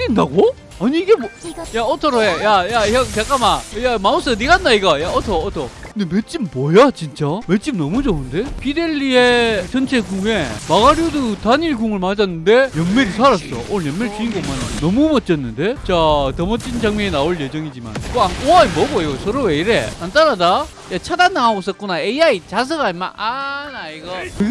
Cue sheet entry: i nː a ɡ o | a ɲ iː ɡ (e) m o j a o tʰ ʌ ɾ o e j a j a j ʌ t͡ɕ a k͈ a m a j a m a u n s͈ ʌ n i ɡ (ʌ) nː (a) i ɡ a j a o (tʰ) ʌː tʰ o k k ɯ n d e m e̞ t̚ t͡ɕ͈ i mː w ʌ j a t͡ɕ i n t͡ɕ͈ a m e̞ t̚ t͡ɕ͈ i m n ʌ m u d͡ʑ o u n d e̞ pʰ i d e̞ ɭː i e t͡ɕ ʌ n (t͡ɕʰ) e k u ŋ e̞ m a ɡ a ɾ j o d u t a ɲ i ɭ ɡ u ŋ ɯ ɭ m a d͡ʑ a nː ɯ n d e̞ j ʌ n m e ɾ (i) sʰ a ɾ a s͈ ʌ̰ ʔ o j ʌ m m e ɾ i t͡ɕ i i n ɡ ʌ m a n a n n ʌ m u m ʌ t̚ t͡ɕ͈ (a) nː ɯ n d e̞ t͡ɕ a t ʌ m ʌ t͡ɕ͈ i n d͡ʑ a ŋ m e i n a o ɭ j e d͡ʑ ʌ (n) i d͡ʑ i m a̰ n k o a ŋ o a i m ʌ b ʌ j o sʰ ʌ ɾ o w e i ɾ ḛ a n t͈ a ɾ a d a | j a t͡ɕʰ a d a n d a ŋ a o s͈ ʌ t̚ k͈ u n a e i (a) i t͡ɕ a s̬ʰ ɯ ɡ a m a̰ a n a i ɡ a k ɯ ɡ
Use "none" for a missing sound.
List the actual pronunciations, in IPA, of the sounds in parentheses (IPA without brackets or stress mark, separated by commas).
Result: e, a, a, tʰ, t͡ɕʰ, i, ʌ, ŋ, a